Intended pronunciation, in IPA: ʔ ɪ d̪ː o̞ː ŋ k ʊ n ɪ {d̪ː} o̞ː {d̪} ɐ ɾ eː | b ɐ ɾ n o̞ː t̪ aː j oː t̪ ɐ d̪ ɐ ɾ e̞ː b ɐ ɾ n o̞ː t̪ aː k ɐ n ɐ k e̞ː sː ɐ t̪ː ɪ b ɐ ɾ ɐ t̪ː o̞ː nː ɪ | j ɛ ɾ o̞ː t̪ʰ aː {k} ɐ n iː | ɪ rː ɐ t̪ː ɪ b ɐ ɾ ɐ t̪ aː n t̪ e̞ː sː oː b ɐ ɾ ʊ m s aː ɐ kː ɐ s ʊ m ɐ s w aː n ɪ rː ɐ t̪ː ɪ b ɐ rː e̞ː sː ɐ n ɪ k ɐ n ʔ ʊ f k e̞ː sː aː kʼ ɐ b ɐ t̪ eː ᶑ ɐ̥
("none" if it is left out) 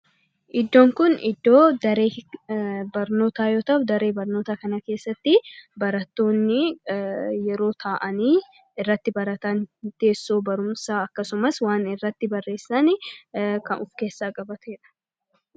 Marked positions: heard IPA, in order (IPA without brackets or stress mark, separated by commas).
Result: d̪ː, d̪, ʔ